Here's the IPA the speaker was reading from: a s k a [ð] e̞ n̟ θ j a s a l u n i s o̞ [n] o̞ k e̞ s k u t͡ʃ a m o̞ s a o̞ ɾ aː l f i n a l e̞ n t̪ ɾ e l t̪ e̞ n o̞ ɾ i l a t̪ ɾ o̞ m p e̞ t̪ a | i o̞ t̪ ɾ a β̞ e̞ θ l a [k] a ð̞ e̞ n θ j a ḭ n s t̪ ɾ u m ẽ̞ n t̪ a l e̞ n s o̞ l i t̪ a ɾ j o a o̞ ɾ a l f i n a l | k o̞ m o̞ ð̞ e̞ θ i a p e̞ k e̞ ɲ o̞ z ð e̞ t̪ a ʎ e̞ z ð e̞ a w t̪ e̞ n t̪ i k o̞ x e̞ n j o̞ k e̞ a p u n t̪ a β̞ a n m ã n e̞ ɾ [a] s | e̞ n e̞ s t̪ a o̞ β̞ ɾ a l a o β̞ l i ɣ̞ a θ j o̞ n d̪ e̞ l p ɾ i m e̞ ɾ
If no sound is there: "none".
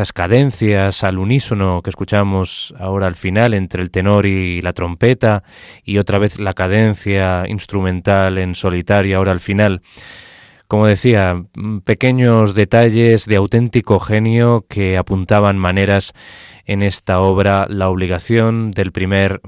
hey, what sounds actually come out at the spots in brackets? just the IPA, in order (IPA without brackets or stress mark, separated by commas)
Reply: ð, n, k, a